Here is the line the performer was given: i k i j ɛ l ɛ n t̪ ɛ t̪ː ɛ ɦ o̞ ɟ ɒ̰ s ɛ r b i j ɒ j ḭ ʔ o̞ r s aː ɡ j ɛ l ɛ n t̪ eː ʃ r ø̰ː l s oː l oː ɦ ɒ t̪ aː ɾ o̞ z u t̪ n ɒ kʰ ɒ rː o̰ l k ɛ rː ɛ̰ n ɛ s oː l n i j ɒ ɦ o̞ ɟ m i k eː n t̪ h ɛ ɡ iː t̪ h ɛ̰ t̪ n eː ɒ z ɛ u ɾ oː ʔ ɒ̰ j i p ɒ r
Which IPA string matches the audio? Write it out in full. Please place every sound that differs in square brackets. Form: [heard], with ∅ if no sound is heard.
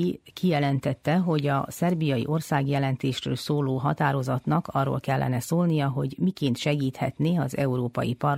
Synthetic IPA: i k i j ɛ l ɛ n t̪ ɛ t̪ː ɛ ɦ o̞ ɟ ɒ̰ s ɛ r b i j ɒ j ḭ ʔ o̞ r s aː ɡ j ɛ l ɛ n t̪ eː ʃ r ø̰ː l s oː l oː ɦ ɒ t̪ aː ɾ o̞ z [ɒ] t̪ n ɒ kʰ ɒ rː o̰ l k ɛ [lː] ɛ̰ n ɛ s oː l n i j ɒ ɦ o̞ ɟ m i k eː n t̪ [ʃ] ɛ ɡ iː t̪ h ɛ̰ t̪ n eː ɒ z ɛ u ɾ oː [p] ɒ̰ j i p ɒ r